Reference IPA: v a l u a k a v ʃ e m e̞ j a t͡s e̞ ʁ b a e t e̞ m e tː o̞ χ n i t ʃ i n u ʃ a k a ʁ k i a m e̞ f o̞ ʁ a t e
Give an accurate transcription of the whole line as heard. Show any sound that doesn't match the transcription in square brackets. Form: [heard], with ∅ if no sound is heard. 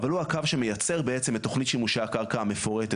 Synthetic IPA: v a l u a k a v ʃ e m e̞ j a t͡s e̞ ʁ b [e] e [t͡s] e̞ m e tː o̞ χ n i t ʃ i [m] u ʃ a k a ʁ k [a] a m e̞ f o̞ ʁ [e] t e